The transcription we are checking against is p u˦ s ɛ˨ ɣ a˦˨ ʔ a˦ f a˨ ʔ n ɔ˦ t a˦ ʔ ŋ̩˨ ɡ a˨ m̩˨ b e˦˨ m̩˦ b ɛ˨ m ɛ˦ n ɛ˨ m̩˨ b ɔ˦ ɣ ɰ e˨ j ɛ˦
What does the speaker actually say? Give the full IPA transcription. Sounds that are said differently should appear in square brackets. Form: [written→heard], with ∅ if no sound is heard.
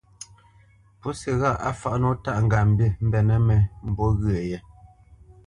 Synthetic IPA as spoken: p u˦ s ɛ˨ ɣ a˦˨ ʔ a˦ f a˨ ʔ n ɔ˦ t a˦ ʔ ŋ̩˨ ɡ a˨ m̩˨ b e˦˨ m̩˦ b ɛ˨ [m→n] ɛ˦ [n→m] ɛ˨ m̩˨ b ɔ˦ ɣ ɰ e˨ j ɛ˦